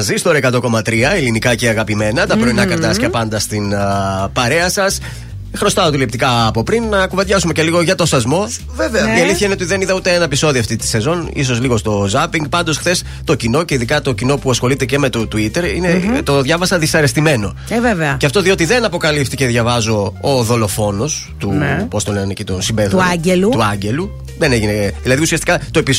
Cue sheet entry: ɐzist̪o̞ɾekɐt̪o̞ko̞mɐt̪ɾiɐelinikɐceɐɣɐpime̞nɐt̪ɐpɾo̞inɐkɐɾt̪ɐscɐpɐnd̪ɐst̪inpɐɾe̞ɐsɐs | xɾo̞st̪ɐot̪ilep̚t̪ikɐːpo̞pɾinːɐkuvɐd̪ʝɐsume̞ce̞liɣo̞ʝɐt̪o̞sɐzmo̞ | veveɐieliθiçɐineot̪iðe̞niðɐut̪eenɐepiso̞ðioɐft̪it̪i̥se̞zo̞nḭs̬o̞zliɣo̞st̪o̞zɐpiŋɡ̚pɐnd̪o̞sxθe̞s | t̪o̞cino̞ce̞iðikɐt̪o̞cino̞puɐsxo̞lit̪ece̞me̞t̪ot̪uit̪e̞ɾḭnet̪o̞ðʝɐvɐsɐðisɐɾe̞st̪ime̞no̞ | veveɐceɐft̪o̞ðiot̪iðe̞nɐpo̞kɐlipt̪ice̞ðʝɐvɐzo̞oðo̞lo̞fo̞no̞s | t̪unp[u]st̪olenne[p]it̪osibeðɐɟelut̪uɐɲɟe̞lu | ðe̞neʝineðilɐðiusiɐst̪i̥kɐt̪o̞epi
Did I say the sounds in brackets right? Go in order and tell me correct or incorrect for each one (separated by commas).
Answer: incorrect, incorrect